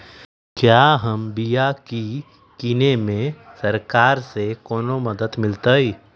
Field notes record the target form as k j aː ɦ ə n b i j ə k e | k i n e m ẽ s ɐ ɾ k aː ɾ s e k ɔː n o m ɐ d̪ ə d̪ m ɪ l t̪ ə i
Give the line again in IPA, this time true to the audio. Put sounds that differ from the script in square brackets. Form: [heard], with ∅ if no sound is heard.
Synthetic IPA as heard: k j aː ɦ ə [m] b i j [a] k [i] | k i n e m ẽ s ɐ ɾ k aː ɾ s e k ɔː n o m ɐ d̪ ə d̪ m ɪ l t̪ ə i